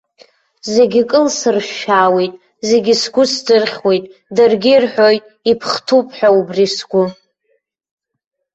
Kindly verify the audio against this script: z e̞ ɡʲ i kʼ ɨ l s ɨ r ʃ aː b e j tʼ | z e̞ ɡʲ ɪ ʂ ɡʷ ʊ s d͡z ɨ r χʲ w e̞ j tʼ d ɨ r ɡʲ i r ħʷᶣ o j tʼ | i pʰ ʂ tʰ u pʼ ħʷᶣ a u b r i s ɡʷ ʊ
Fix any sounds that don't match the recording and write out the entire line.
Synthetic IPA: z e̞ ɡʲ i kʼ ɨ l s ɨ r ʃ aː w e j tʼ | z e̞ ɡʲ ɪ s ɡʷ ʊ s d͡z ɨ r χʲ w e̞ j tʼ d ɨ r ɡʲ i r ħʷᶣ o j tʼ | i pʰ χ tʰ u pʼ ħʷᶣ a u b r i s ɡʷ ʊ